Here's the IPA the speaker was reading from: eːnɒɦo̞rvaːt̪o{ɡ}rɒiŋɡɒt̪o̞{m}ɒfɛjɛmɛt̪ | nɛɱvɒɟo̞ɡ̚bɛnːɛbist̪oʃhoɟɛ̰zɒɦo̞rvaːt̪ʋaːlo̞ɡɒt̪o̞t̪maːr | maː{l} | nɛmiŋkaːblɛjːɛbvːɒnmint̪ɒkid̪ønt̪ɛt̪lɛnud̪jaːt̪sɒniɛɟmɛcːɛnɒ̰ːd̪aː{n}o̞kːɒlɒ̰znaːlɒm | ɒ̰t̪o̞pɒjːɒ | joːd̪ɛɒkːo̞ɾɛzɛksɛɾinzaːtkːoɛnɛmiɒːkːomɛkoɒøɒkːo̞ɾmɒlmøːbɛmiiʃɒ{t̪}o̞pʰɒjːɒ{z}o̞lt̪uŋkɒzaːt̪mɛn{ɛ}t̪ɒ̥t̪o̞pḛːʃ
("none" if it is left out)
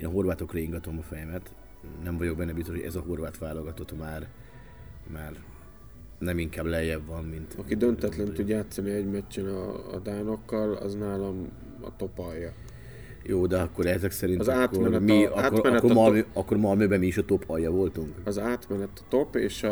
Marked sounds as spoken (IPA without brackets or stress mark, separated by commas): k, m, r, n, t̪, v, ɛ